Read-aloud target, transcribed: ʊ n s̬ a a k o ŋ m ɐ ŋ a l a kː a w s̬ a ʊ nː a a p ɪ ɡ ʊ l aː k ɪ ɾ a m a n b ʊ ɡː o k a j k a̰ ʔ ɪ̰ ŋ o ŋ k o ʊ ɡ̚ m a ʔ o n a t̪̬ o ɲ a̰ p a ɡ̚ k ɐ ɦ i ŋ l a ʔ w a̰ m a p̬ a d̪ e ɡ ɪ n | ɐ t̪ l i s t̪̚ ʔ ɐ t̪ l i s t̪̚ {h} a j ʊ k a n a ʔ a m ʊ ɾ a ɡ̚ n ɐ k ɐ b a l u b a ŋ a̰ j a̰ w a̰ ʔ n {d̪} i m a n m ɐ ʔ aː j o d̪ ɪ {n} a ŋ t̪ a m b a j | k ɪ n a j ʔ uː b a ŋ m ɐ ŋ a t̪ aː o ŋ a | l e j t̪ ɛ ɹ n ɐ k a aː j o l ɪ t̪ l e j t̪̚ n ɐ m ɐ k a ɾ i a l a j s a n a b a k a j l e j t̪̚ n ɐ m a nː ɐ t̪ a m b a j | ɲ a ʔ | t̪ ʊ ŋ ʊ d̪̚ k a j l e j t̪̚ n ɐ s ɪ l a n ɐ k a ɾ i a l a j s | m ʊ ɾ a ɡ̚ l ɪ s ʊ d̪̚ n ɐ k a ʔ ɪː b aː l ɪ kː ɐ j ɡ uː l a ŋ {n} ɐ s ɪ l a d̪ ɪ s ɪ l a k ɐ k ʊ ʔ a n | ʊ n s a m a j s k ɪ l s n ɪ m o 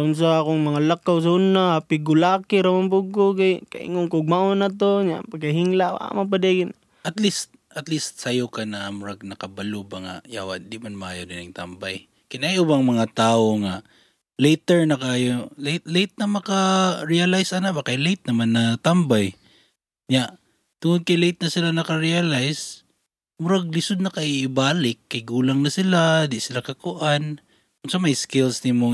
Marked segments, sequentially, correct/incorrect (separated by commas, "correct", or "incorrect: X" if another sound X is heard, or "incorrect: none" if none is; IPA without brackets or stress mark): incorrect: s, correct, correct, correct